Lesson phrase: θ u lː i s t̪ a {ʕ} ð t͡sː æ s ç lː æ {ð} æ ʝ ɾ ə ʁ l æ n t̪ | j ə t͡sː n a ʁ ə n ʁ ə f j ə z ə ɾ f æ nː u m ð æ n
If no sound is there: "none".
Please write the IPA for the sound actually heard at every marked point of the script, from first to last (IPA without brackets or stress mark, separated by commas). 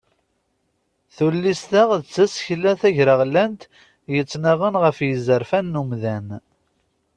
ʁ, θ